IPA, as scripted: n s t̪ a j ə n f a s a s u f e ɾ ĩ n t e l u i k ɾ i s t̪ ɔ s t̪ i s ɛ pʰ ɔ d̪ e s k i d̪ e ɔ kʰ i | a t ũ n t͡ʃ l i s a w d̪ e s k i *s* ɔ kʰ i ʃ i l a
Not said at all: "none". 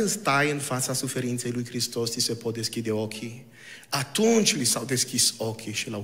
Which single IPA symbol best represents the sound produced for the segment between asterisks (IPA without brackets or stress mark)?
s